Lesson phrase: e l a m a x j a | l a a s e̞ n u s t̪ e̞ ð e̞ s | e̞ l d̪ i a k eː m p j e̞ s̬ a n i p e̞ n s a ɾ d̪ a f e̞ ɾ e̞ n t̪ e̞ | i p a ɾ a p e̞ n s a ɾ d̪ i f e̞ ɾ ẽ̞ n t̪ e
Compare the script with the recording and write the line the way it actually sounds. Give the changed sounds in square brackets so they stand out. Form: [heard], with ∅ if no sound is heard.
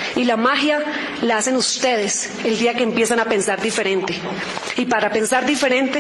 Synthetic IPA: [i] l a m a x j a | l a a s e̞ n u s t̪ e̞ ð e̞ s | e̞ l d̪ i a k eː m p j e̞ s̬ a n [a] p e̞ n s a ɾ d̪ [i] f e̞ ɾ e̞ n t̪ e̞ | i p a ɾ a p e̞ n s a ɾ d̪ i f e̞ ɾ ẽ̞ n t̪ e